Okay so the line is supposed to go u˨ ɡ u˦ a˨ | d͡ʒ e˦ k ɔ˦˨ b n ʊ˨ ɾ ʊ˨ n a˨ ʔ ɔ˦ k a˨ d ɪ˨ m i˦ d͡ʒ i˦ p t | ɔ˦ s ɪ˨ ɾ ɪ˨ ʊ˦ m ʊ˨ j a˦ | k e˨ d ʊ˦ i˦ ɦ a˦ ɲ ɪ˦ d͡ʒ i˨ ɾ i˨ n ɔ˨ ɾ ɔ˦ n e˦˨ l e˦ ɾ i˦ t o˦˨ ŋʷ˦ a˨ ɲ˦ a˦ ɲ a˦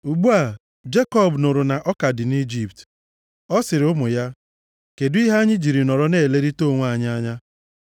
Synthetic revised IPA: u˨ ɡ͡b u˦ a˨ | d͡ʒ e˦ k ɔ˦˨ b n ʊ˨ ɾ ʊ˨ n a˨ ʔ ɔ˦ k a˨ d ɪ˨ n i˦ d͡ʒ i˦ p t | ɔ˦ s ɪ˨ ɾ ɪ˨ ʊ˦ m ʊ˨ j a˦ | k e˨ d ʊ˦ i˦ ɦ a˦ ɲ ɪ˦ d͡ʒ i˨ ɾ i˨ n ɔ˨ ɾ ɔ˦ n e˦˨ l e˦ ɾ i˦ t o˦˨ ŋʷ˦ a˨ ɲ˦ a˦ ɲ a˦